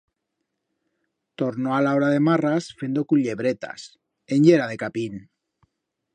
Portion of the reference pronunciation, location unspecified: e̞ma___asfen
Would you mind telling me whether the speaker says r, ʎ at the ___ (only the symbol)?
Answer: r